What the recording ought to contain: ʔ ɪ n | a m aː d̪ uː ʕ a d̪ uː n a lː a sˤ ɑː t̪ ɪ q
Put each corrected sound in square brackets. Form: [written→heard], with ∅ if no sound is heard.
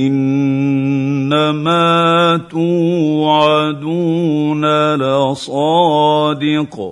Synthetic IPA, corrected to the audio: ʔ ɪ n | a m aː [d̪→t̪] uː ʕ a d̪ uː n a [lː→l] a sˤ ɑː [t̪→d̪] ɪ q